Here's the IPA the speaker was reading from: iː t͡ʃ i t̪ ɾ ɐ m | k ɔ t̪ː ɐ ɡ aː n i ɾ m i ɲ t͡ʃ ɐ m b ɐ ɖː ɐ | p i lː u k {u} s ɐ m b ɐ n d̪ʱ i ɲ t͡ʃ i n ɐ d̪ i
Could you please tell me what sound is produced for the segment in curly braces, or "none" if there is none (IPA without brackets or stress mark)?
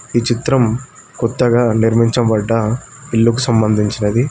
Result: u